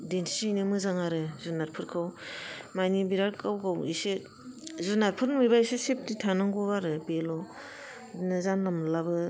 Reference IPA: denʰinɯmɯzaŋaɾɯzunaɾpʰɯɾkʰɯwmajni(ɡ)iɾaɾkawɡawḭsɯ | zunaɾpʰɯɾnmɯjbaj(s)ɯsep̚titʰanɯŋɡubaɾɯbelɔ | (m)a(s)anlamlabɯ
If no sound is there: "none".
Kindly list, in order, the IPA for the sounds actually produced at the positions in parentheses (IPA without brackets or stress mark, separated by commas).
b, s, n, z